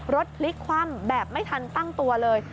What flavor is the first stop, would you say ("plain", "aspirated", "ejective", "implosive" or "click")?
plain